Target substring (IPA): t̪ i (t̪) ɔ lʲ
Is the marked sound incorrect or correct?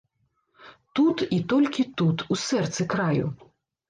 correct